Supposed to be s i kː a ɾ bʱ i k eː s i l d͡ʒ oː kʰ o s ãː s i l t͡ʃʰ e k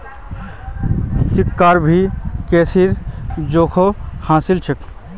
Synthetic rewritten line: s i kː a ɾ bʱ i k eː s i ɾ d͡ʒ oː kʰ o h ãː s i l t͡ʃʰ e k